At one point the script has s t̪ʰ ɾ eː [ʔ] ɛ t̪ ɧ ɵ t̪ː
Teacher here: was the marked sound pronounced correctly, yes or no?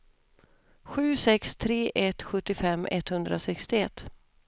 yes